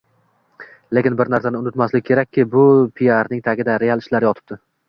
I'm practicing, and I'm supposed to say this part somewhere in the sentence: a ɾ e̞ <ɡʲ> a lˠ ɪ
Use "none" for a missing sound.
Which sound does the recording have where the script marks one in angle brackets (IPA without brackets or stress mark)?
none